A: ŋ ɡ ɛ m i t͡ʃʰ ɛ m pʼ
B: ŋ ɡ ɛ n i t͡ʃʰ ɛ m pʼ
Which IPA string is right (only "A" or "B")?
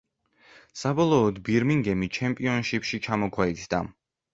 A